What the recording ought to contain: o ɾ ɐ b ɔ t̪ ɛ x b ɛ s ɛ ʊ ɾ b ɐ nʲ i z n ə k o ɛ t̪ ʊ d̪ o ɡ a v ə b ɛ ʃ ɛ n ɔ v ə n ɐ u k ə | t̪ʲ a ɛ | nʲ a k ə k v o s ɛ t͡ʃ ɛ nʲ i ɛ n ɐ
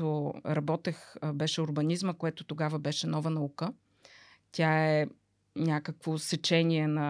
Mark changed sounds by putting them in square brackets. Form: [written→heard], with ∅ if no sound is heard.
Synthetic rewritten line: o ɾ ɐ b ɔ t̪ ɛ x b ɛ [s→ʃ] ɛ ʊ ɾ b ɐ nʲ i z [n→m] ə k o ɛ t̪ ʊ [d̪→t̪] o ɡ a v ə b ɛ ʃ ɛ n ɔ v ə n ɐ u k ə | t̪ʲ a ɛ | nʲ a k ə k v o s ɛ t͡ʃ ɛ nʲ i ɛ n ɐ